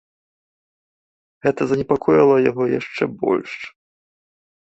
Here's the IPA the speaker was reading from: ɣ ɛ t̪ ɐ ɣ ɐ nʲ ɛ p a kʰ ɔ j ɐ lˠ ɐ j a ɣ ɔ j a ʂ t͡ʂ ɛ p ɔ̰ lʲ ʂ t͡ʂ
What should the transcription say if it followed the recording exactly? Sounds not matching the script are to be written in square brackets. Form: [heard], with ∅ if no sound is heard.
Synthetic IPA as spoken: ɣ ɛ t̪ ɐ [z] ɐ nʲ ɛ p a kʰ ɔ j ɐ lˠ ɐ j a ɣ ɔ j a ʂ t͡ʂ ɛ [b] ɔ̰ lʲ ʂ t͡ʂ